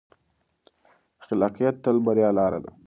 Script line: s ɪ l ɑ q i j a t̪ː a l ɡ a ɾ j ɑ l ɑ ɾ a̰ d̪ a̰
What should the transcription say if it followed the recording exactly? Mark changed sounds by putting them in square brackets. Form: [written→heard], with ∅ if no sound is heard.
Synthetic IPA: [s→x] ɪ l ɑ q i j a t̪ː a l [ɡ→b] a ɾ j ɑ l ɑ ɾ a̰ d̪ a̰